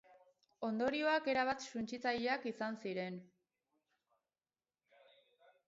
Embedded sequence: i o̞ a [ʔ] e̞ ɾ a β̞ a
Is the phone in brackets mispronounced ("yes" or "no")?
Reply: yes